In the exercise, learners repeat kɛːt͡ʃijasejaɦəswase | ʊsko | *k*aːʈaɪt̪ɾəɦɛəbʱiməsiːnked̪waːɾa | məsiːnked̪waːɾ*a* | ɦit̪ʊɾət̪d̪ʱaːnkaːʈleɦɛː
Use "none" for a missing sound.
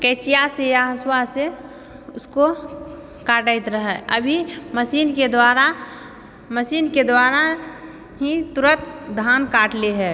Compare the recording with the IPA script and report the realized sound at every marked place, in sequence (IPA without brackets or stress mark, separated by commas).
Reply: k, a